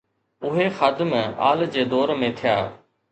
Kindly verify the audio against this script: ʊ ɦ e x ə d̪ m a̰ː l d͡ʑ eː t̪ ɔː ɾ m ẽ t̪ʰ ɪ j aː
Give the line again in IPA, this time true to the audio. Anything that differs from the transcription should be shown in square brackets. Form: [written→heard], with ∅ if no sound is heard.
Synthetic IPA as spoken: ʊ ɦ e x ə d̪ m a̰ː l d͡ʑ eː [t̪→d̪] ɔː ɾ m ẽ t̪ʰ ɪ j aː